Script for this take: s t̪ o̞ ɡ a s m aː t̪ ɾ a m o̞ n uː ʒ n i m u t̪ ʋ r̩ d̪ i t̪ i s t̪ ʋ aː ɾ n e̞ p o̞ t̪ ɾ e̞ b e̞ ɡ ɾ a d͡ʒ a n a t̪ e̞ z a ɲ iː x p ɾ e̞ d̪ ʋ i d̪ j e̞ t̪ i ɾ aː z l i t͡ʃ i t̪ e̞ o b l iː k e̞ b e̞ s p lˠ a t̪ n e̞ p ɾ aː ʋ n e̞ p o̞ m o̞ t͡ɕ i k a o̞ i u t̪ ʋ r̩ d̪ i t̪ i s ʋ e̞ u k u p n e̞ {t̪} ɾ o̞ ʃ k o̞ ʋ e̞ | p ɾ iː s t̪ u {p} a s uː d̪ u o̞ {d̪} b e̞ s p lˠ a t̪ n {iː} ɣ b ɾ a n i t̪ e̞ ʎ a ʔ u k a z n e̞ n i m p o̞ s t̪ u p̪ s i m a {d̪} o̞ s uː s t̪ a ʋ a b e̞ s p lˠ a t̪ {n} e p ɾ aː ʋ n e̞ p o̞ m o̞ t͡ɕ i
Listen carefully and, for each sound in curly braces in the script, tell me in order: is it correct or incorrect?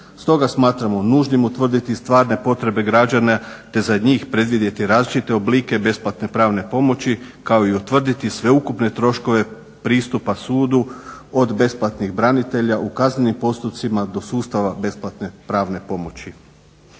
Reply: correct, correct, correct, incorrect: i, correct, correct

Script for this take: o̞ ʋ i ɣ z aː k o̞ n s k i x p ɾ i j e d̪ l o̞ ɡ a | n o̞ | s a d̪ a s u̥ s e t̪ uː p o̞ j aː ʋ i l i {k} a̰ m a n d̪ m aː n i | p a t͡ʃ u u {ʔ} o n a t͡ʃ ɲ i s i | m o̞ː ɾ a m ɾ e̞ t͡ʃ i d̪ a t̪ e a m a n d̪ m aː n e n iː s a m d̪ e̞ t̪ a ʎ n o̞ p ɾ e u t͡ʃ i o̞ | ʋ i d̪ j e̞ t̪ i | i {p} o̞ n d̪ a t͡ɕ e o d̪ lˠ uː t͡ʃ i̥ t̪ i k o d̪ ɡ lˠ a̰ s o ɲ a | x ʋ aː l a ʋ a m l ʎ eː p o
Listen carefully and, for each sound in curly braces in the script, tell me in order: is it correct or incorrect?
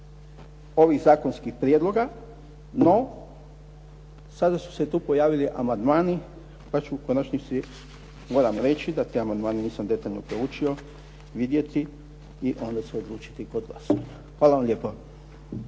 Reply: incorrect: ʔ, incorrect: k, incorrect: ʔ

